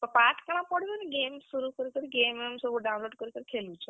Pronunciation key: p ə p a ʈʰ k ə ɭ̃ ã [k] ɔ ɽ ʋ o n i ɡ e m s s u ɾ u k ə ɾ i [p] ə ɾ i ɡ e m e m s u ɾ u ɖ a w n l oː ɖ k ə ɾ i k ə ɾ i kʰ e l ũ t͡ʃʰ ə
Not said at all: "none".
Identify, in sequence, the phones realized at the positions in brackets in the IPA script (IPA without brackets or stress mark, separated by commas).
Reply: p, k